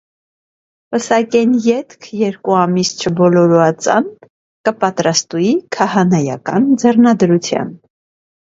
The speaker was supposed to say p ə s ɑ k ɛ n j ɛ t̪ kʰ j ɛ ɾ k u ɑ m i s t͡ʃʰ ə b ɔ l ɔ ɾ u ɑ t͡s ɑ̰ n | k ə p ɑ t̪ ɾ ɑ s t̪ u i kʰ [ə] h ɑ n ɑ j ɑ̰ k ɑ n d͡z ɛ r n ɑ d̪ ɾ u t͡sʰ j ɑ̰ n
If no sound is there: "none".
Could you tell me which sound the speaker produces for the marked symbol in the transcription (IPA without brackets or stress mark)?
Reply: ɑ